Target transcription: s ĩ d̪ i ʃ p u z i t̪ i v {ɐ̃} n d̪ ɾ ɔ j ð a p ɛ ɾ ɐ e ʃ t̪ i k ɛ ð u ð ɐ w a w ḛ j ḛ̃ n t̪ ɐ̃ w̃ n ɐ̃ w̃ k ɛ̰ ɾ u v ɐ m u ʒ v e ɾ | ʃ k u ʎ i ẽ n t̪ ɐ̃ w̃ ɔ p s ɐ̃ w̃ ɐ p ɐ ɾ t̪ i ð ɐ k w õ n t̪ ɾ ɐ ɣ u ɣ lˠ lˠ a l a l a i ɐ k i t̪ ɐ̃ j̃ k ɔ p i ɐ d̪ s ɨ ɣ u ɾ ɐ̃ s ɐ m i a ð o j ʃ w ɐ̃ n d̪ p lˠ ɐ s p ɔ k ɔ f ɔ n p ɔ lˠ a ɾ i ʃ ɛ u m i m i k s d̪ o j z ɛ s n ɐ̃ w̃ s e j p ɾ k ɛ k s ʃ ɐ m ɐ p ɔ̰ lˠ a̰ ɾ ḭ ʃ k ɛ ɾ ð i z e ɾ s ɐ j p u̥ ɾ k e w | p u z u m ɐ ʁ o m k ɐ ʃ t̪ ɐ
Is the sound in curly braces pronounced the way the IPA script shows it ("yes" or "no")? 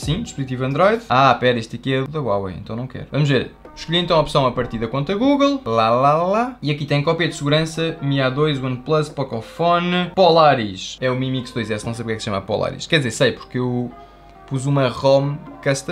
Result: yes